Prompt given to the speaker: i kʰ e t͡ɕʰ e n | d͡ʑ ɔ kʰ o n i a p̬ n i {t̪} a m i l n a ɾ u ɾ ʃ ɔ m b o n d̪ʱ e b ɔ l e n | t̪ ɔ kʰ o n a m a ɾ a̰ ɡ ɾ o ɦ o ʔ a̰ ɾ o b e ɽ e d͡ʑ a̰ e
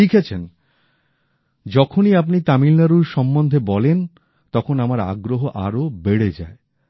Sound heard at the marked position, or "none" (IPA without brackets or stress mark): t̪